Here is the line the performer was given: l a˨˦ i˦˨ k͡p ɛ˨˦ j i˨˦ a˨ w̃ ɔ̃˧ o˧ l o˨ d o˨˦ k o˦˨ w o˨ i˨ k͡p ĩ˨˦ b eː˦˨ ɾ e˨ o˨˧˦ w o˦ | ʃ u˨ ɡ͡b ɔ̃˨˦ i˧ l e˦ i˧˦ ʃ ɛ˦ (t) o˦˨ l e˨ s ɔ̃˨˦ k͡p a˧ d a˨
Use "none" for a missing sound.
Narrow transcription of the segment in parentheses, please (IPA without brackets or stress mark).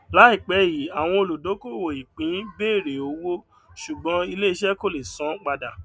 k